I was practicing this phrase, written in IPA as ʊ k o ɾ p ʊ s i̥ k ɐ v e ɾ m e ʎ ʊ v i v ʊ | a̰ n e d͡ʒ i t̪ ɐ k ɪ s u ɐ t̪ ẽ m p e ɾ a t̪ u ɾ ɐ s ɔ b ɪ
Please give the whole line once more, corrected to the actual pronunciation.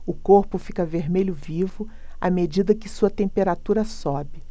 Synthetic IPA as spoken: ʊ k o ɾ p ʊ f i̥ k ɐ v e ɾ m e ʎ ʊ v i v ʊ | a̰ m e d͡ʒ i d̪ ɐ k ɪ s u ɐ t̪ ẽ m p e ɾ a t̪ u ɾ ɐ s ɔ b ɪ